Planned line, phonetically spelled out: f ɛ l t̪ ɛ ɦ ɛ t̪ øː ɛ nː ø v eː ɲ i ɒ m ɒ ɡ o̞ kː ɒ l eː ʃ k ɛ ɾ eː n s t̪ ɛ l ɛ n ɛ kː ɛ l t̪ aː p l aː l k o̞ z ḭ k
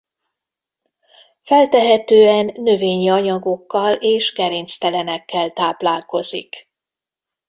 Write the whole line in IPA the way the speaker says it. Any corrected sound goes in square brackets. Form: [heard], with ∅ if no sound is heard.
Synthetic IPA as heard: f ɛ l t̪ ɛ ɦ ɛ t̪ øː ɛ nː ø v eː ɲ i ɒ [ɲ] ɒ ɡ o̞ kː ɒ l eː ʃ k ɛ ɾ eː n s t̪ ɛ l ɛ n ɛ kː ɛ l t̪ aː p l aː l k o̞ z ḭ k